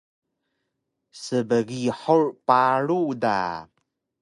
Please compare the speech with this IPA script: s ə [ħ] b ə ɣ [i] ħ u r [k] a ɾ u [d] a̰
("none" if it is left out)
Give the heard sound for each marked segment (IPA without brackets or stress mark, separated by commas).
none, i, p, d